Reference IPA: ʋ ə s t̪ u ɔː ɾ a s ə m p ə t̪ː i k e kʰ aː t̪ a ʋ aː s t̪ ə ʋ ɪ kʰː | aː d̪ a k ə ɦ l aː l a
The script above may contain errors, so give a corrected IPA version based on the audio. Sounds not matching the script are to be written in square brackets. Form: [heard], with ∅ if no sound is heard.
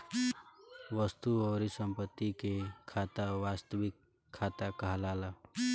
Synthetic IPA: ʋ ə s t̪ u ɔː ɾ [i] s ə m p ə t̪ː i k e kʰ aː t̪ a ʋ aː s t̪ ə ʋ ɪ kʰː | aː [t̪] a k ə ɦ l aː l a